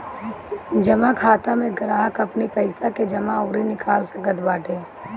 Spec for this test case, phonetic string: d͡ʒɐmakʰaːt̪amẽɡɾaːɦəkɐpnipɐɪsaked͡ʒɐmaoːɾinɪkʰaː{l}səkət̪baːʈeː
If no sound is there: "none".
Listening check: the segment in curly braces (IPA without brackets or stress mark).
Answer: l